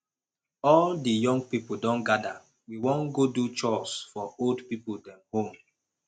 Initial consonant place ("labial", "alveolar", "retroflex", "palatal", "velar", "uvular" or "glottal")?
alveolar